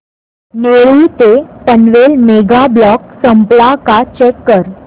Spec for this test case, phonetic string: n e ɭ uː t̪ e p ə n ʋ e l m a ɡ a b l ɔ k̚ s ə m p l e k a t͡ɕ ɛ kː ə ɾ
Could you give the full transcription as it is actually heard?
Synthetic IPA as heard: n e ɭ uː t̪ e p ə n ʋ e l m e ɡ a b l ɔ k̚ s ə m p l a k a t͡ɕ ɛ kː ə ɾ